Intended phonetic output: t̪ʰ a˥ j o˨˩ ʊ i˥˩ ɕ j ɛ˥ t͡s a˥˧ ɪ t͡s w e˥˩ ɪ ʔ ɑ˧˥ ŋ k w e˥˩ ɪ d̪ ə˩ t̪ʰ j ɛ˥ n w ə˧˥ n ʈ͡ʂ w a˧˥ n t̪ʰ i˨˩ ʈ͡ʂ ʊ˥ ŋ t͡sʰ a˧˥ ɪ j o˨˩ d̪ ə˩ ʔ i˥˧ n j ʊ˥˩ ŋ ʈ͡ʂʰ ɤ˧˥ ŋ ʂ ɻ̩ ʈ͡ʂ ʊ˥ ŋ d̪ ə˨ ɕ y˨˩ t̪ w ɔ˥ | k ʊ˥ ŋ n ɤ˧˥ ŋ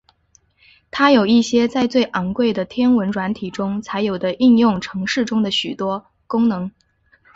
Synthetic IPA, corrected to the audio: t̪ʰ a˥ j o˨˩ ʊ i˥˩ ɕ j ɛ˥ t͡s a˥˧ ɪ t͡s w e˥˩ ɪ ʔ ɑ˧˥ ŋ k w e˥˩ ɪ d̪ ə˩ t̪ʰ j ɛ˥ n w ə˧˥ n ʈ͡ʂ w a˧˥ n t̪ʰ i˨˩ ʈ͡ʂ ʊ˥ ŋ t͡sʰ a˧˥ ɪ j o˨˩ d̪ ə˦ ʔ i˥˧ n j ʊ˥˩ ŋ ʈ͡ʂʰ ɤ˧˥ ŋ ʂ ɻ̩ ʈ͡ʂ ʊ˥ ŋ d̪ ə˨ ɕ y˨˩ t̪ w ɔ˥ | k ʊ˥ ŋ n ɤ˧˥ ŋ